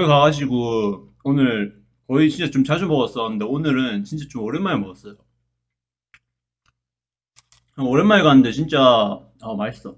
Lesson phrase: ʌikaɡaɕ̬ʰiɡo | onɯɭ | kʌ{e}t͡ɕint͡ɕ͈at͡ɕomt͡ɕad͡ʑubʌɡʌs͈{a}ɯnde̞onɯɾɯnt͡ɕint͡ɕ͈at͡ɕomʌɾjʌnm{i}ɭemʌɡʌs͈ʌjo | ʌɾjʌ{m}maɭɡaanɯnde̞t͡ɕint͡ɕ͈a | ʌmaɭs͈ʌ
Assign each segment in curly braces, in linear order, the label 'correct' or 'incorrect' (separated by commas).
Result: incorrect, incorrect, incorrect, incorrect